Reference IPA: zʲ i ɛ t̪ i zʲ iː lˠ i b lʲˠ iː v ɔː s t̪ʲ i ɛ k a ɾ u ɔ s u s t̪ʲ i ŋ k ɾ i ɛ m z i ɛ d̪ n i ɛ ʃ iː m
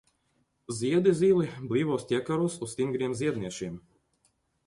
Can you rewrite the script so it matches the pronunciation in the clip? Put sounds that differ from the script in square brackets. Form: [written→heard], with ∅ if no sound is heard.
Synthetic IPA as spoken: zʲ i ɛ [t̪→d̪] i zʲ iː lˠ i b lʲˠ iː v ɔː s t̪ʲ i ɛ k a ɾ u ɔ s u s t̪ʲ i ŋ [k→ɡ] ɾ i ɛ m z i ɛ d̪ n i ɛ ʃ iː m